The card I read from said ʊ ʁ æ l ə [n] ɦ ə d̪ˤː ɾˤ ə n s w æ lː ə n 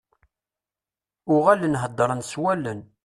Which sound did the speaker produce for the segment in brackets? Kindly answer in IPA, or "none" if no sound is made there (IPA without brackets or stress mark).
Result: n